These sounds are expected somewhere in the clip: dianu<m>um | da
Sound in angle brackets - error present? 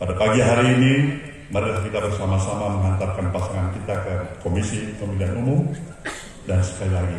no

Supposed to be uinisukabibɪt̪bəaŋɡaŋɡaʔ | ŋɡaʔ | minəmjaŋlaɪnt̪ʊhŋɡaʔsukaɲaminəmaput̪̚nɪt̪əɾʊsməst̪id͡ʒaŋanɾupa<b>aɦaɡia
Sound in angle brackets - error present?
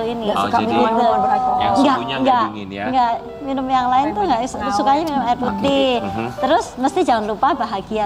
no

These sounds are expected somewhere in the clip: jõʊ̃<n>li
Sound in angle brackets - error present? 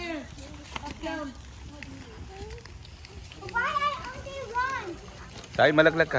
no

